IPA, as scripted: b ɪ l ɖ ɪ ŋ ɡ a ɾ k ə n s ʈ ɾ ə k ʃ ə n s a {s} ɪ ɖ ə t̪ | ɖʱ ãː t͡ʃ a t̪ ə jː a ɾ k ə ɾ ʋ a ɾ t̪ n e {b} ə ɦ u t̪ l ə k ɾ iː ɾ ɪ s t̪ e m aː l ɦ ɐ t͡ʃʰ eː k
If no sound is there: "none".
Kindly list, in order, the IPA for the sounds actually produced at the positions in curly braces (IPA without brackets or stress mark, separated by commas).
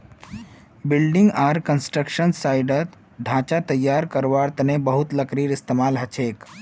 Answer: none, b